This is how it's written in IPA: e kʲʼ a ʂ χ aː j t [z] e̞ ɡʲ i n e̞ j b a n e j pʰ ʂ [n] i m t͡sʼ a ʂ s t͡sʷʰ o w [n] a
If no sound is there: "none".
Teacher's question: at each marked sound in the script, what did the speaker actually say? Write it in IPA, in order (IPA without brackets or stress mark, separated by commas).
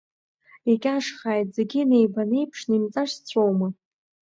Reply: z, n, m